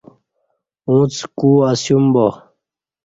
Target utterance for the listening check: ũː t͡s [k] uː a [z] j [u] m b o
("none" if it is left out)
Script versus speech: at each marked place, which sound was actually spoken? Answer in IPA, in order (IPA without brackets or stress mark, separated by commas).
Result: k, s, u